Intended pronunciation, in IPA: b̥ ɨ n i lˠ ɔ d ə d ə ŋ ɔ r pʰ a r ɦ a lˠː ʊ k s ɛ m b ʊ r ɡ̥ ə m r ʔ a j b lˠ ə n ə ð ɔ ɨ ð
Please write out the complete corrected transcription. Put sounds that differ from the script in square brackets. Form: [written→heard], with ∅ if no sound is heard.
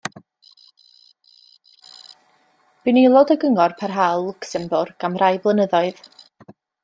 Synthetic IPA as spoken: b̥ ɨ n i lˠ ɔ d ə [d→ɡ] ə ŋ ɔ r pʰ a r ɦ a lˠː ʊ k s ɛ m b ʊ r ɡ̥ [ə→a] m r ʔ a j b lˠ ə n ə ð ɔ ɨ ð